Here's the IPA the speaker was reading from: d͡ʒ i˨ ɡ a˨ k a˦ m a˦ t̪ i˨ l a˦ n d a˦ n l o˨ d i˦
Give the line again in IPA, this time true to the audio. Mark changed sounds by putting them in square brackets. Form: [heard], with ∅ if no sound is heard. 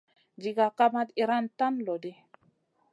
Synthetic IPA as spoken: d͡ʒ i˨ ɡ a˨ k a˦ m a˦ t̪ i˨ [ɾ] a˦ n [t] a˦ n l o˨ d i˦